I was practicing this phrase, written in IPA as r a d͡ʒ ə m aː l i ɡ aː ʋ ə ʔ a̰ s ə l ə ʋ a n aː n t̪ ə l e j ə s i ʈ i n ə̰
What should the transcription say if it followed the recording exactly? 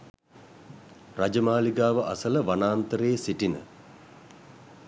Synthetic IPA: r a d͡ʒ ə m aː l i ɡ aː ʋ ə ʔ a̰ s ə l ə ʋ a n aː n t̪ ə ɾ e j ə s i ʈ i n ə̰